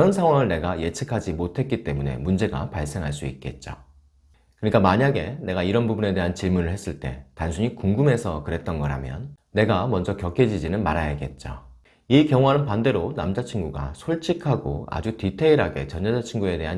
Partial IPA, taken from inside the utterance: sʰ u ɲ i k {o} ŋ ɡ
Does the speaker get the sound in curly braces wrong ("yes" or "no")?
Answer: yes